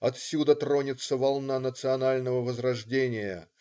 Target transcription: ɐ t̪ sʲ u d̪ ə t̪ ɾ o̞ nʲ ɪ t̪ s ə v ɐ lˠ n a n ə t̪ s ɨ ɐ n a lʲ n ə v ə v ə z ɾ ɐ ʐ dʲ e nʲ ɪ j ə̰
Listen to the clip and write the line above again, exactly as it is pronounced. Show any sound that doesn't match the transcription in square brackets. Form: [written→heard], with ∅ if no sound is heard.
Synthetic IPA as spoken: ɐ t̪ sʲ u d̪ ə t̪ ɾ o̞ nʲ ɪ t̪ s ə v ɐ lˠ n a n ə t̪ s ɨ ɐ n a lʲ n ə v ə v ə z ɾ ɐ ʐ dʲ e nʲ ɪ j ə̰